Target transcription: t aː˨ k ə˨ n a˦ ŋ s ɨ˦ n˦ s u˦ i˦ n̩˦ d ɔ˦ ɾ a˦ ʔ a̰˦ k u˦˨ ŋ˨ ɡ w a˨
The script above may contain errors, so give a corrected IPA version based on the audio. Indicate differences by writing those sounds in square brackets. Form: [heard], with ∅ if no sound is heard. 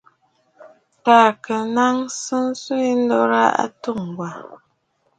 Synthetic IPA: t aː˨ k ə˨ n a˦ ŋ s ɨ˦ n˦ s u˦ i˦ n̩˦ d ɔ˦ ɾ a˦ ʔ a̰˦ [t] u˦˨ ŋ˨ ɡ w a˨